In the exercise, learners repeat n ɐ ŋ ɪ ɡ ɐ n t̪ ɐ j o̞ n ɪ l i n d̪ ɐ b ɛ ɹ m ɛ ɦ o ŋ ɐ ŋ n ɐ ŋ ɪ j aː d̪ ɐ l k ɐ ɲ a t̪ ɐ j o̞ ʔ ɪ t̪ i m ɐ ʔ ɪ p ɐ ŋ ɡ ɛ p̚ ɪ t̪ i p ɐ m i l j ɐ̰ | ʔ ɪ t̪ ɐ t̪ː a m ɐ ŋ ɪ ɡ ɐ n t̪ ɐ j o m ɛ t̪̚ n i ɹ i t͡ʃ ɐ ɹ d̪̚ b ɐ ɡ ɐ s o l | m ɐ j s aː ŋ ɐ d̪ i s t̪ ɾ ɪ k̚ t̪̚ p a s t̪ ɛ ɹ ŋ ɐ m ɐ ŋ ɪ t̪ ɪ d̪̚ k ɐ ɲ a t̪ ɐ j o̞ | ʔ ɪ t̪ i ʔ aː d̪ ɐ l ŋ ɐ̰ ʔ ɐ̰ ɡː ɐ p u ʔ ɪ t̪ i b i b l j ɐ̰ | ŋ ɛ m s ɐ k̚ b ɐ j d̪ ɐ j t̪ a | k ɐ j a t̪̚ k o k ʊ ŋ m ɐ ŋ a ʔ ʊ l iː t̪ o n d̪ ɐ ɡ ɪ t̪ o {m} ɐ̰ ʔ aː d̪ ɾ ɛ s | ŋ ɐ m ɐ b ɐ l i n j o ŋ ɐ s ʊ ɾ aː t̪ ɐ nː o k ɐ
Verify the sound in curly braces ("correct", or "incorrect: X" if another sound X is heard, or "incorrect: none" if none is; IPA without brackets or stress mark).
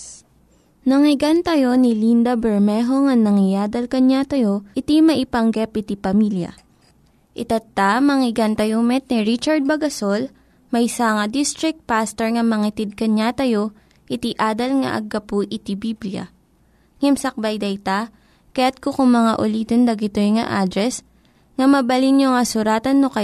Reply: incorrect: ŋ